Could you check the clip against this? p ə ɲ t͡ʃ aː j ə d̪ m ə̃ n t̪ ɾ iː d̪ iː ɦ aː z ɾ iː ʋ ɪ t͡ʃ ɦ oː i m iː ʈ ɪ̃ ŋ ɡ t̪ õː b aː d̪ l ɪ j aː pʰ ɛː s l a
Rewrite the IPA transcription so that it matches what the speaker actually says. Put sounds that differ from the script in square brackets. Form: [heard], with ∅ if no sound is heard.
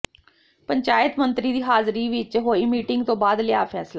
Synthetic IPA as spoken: p ə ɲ t͡ʃ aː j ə [t̪] m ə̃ n t̪ ɾ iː d̪ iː ɦ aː z ɾ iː ʋ ɪ t͡ʃ ɦ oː i m iː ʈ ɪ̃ ŋ ɡ t̪ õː b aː d̪ l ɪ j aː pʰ ɛː s l a